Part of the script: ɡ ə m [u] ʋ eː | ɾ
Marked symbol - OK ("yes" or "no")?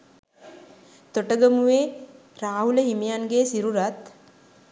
yes